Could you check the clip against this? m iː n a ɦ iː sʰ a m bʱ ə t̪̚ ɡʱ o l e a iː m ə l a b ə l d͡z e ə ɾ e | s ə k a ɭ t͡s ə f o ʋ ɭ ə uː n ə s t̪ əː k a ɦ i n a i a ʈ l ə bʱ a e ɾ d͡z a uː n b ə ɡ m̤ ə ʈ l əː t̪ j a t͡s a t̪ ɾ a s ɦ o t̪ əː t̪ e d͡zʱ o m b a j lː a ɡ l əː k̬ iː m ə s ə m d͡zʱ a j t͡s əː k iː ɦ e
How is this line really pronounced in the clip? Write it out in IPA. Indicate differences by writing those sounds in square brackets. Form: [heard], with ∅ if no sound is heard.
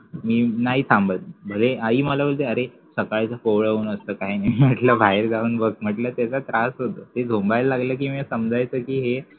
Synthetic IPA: m iː n a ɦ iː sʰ a m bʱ ə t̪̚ [bʱ] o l e a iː m ə l a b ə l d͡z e ə ɾ e | s ə k a ɭ t͡s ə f o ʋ ɭ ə uː n ə s t̪ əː k a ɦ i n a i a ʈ l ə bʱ a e ɾ d͡z a uː n b ə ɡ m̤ ə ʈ l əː t̪ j a t͡s a t̪ ɾ a s ɦ o t̪ əː t̪ e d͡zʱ o m b a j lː a ɡ l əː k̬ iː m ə s ə m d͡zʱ a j t͡s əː k iː ɦ e

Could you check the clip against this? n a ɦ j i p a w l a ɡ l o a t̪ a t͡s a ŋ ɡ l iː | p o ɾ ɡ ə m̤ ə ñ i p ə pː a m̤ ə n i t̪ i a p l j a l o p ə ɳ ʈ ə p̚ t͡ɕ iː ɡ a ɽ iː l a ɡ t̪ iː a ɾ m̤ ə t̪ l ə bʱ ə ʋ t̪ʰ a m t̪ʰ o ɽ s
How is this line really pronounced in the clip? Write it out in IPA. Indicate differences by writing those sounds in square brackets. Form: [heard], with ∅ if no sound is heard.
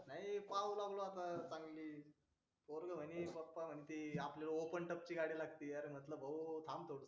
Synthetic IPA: n a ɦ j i p a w l a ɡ l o a t̪ a t͡s a ŋ ɡ l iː | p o ɾ ɡ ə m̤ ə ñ i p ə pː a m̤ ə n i t̪ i a p l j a l o p ə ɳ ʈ ə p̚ t͡ɕ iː ɡ a ɽ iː l a ɡ t̪ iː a ɾ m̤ ə t̪ l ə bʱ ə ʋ t̪ʰ a m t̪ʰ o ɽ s

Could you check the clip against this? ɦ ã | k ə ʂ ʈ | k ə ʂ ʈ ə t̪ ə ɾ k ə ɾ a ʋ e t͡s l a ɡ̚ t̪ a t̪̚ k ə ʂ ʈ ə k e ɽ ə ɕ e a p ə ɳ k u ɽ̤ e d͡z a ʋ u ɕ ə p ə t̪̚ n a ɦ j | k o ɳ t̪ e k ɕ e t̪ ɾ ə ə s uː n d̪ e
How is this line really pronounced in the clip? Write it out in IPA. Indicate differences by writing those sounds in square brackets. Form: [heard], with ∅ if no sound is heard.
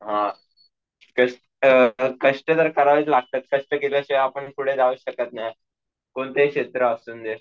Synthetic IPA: ɦ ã | k ə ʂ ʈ | k ə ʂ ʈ ə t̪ ə ɾ k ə ɾ a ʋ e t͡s l a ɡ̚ t̪ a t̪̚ k ə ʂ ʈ ə k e [l] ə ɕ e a p ə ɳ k u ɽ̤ e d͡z a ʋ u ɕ ə [k] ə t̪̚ n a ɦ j | k o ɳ t̪ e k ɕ e t̪ ɾ ə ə s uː n d̪ e

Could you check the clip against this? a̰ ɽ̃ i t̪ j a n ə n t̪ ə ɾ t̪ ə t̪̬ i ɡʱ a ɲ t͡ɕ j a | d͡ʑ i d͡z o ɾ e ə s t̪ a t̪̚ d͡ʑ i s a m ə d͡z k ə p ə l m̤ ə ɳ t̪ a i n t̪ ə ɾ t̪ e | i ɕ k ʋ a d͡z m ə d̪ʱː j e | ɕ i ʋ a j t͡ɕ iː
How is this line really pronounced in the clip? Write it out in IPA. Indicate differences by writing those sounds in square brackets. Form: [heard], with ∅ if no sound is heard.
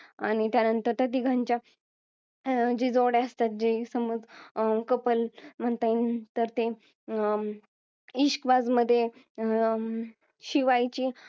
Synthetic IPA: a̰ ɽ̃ i t̪ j a n ə n t̪ ə ɾ t̪ ə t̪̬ i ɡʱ a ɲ t͡ɕ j a | d͡ʑ i d͡z o [ɽ] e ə s t̪ a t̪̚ d͡ʑ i s [ə] m ə d͡z k ə p ə l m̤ ə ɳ t̪ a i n t̪ ə ɾ t̪ e | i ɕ k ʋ a d͡z m ə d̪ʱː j e | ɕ i ʋ a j t͡ɕ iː

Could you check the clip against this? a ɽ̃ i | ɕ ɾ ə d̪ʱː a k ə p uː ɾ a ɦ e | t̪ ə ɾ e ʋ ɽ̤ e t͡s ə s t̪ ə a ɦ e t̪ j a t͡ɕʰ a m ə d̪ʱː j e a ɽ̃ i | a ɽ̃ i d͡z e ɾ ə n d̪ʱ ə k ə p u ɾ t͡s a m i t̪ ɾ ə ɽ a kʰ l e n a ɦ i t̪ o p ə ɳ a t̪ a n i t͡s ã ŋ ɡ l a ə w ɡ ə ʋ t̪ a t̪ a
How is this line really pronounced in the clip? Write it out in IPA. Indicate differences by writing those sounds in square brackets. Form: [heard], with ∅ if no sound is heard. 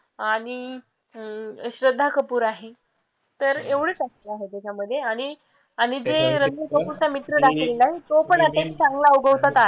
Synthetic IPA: a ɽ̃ i | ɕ ɾ ə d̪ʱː a k ə p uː ɾ a ɦ e | t̪ ə ɾ e ʋ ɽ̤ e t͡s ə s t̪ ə a ɦ e t̪ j a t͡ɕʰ a m ə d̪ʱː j e a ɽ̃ i | a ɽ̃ i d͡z e ɾ ə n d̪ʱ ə k ə p u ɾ t͡s a m i t̪ ɾ ə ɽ a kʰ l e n a ɦ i t̪ o p ə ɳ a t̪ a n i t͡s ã ŋ ɡ l a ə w ɡ ə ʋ t̪ a t̪ a

